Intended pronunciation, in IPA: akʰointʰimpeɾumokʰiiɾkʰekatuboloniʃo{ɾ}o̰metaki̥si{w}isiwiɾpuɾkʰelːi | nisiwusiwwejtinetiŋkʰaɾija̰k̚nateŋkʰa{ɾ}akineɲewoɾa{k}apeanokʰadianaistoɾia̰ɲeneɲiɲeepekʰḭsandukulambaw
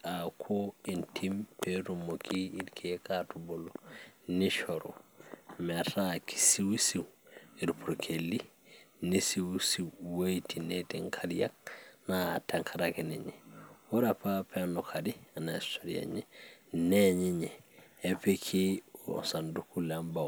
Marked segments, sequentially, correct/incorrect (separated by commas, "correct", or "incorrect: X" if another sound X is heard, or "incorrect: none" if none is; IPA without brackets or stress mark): correct, correct, correct, incorrect: p